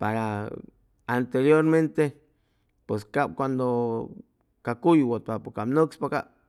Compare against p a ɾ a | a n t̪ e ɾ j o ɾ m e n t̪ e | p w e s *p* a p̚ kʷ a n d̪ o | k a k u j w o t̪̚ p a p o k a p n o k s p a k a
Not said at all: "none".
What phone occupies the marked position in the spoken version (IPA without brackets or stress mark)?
k